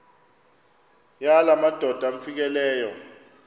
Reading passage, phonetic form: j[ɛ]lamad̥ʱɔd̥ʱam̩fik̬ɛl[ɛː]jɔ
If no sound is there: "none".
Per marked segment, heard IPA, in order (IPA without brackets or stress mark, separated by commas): a, ɛː